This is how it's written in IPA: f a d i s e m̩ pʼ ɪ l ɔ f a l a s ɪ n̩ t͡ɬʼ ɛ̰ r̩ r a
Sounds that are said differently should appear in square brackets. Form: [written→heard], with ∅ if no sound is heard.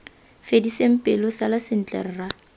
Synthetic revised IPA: f [a→e] d i s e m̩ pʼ ɪ l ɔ [f→s] a l a s ɪ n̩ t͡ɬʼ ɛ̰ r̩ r a